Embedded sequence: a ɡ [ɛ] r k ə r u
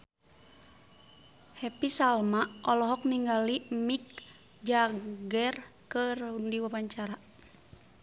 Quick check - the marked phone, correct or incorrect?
correct